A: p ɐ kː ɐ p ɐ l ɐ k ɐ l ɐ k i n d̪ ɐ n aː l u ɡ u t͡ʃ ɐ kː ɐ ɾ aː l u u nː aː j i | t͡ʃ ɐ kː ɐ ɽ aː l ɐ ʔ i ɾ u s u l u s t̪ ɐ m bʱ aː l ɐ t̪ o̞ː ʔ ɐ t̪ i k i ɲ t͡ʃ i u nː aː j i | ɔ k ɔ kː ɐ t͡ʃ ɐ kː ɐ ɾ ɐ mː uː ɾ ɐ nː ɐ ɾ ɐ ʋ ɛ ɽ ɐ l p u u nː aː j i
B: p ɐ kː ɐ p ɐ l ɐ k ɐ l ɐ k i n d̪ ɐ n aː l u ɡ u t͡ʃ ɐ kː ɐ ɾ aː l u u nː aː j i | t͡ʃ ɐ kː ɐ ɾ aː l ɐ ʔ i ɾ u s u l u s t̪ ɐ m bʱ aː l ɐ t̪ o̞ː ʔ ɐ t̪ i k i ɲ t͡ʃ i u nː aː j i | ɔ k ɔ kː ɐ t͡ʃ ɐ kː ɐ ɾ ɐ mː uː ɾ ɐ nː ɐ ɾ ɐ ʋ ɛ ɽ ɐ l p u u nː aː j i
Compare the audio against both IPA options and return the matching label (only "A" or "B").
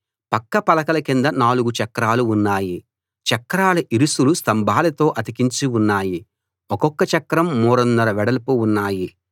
B